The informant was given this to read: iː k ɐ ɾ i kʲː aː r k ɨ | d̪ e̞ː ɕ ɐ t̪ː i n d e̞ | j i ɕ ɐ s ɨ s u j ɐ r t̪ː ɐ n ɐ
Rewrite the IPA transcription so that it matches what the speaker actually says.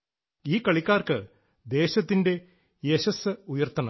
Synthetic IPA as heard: iː k ɐ ɭ i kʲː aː r k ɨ | d̪ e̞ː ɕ ɐ t̪ː i n d e̞ | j e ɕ ɐ s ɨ u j ɐ r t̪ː ɐ n ɐ

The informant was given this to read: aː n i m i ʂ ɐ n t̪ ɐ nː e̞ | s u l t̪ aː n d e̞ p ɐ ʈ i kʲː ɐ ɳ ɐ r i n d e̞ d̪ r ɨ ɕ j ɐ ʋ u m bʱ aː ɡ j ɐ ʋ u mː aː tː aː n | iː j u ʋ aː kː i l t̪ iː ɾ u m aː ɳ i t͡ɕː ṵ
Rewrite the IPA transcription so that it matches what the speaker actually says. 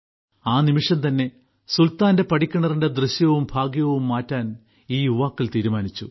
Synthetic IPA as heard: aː n i m i ʂ ɐ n t̪ ɐ nː e̞ | s u l t̪ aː n d e̞ p ɐ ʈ i kʲː ɐ ɳ ɐ r i n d e̞ d̪ r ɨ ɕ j ɐ ʋ u m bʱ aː ɡ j ɐ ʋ u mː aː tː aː n | iː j u ʋ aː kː i l t̪ iː ɾ u m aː n i t͡ɕː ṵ

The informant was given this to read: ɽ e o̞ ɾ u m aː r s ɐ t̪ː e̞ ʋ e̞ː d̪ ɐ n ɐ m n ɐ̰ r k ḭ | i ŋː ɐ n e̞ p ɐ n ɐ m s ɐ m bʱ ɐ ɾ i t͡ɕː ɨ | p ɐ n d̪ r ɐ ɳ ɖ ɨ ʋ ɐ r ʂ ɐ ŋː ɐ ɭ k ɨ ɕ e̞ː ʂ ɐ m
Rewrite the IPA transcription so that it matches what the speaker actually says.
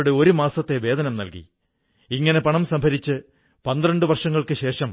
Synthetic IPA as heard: ɽ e o̞ ɾ u m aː s ɐ t̪ː e̞ ʋ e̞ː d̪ ɐ n ɐ m n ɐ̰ l k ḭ | i ŋː ɐ n e̞ p ɐ ɳ ɐ m s ɐ m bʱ ɐ ɾ i t͡ɕː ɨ | p ɐ n d̪ r ɐ ɳ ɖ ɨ ʋ ɐ r ʂ ɐ ŋː ɐ ɭ k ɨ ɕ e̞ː ʂ ɐ m

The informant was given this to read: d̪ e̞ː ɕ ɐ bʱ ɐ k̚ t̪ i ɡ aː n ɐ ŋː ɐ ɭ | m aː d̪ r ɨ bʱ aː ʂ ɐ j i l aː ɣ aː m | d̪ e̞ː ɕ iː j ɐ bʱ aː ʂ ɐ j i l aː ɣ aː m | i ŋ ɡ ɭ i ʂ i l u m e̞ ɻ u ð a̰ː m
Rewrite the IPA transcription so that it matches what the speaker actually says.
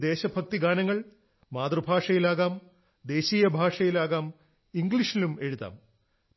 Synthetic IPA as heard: d̪ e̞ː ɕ ɐ bʱ ɐ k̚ t̪ i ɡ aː n ɐ ŋː ɐ ɭ | m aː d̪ r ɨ bʱ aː ʂ ɐ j i l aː ɣ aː m | d̪ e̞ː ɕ iː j ɐ bʱ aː ʂ ɐ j i l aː ɣ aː m | i ŋ ɡ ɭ i ʂ i l u m e̞ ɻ u ð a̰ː m

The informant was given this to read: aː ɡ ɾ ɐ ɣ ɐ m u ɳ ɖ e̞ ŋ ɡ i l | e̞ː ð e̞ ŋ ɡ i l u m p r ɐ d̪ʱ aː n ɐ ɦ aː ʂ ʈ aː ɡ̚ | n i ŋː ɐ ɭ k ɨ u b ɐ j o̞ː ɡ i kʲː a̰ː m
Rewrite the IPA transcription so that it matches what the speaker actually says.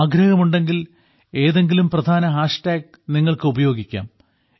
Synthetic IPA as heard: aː ɡ ɾ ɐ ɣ ɐ m u ɳ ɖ e̞ ŋ ɡ i l | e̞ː ð e̞ ŋ ɡ i l u m p r ɐ d̪ʱ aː n ɐ ɦ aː ʂ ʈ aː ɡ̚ | n i ŋː ɐ ɭ k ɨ u b ɐ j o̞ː ɡ i kʲː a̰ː m

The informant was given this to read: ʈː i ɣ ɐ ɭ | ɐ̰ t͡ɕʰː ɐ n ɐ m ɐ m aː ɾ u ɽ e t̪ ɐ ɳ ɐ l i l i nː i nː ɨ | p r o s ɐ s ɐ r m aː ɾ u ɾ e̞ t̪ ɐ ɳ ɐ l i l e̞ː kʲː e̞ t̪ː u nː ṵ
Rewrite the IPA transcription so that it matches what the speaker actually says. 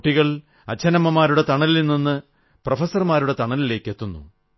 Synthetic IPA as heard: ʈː i ɣ ɐ ɭ | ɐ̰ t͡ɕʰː ɐ n ɐ m ɐ m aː ɾ u ɽ e t̪ ɐ ɳ ɐ l i l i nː i nː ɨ | p r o f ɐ s ɐ r m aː ɾ u ɽ e̞ t̪ ɐ ɳ ɐ l i l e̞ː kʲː e̞ t̪ː u nː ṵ

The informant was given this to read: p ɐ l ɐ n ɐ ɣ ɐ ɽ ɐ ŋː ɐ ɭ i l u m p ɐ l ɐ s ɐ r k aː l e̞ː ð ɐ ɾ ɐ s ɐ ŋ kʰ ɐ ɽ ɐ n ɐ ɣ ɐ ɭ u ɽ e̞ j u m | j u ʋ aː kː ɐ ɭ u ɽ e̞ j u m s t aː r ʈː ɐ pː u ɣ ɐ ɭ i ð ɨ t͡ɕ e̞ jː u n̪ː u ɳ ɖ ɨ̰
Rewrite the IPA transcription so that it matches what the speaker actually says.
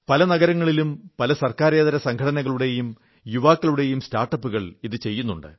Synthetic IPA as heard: p ɐ l ɐ n ɐ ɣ ɐ ɾ ɐ ŋː ɐ ɭ i l u m p ɐ l ɐ s ɐ r k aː ɾ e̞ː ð ɐ ɾ ɐ s ɐ ŋ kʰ ɐ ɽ ɐ n ɐ ɣ ɐ ɭ u ɽ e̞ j u m | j u ʋ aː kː ɐ ɭ u ɽ e̞ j u m s t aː r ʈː ɐ pː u ɣ ɐ ɭ i ð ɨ t͡ɕ e̞ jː u n̪ː u ɳ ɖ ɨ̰

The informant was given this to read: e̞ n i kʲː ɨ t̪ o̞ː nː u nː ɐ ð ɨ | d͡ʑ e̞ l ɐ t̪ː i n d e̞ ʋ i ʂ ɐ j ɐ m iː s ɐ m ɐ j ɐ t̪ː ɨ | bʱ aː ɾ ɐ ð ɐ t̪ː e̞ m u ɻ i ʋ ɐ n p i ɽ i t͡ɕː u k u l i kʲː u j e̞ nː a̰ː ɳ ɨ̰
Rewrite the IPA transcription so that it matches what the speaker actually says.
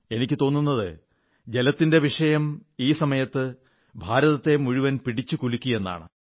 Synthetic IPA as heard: e̞ n i kʲː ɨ t̪ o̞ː nː u nː ɐ ð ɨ | d͡ʑ e̞ l ɐ t̪ː i n d e̞ ʋ i ʂ ɐ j ɐ m iː s ɐ m ɐ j ɐ t̪ː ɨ | bʱ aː ɾ ɐ ð ɐ t̪ː e̞ m u ɻ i ʋ ɐ n p i ɽ i t͡ɕː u k u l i kʲː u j e̞ nː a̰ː ɳ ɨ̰

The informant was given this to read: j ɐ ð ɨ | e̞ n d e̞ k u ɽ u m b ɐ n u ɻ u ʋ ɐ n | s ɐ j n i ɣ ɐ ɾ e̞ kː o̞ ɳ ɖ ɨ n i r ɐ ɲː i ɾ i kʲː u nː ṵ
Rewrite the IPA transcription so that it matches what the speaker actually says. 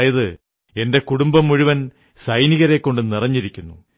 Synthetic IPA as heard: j ɐ ð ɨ | e̞ n d e̞ k u ɽ u m b ɐ m u ɻ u ʋ ɐ n | s ɐ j n i ɣ ɐ ɾ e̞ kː o̞ ɳ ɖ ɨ n i r ɐ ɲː i ɾ i kʲː u nː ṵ

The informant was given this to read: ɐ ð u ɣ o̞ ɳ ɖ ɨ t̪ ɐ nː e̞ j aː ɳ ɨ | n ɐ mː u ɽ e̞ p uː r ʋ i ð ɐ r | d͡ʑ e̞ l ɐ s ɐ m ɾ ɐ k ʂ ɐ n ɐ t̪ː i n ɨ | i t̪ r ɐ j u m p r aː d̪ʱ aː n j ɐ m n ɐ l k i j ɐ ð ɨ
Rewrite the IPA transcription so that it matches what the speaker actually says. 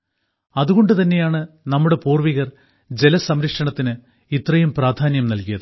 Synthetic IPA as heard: ɐ ð u ɣ o̞ ɳ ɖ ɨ t̪ ɐ nː e̞ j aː ɳ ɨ | n ɐ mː u ɽ e̞ p uː r ʋ i ɣ ɐ r | d͡ʑ e̞ l ɐ s ɐ m ɾ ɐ k ʂ ɐ ɳ ɐ t̪ː i n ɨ | i t̪ r ɐ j u m p r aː d̪ʱ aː n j ɐ m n ɐ l k i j ɐ ð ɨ

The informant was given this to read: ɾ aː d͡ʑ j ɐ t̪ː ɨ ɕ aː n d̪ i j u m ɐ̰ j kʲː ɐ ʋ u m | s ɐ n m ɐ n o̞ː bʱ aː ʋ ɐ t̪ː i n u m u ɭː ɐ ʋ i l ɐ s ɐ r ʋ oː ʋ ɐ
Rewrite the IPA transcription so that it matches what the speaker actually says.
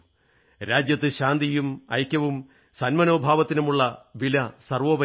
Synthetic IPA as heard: ɾ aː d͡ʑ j ɐ t̪ː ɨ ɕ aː n d̪ i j u m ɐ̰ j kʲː ɐ ʋ u m | s ɐ n m ɐ n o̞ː bʱ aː ʋ ɐ t̪ː i n u m u ɭː ɐ ʋ i l ɐ s ɐ r ʋ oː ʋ ɐ

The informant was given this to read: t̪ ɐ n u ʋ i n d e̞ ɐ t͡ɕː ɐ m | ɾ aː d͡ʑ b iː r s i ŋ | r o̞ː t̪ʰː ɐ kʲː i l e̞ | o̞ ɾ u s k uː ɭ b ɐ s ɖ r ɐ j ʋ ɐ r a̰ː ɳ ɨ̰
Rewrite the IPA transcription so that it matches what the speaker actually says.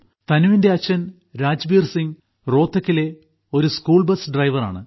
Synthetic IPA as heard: t̪ ɐ n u ʋ i n d e̞ ɐ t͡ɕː ɐ n | ɾ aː d͡ʑ b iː r s i ŋ | r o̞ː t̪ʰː ɐ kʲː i l e̞ | o̞ ɾ u s k uː ɭ b ɐ s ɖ r ɐ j ʋ ɐ r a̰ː ɳ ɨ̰

